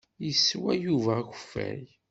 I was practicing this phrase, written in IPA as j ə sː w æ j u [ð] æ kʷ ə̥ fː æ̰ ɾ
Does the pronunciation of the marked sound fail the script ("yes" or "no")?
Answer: yes